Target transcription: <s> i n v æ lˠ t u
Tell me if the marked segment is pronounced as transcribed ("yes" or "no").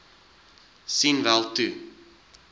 yes